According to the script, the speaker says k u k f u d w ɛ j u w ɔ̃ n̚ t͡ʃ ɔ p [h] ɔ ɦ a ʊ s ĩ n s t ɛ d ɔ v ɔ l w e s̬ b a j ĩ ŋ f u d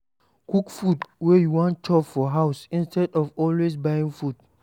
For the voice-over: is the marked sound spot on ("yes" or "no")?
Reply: no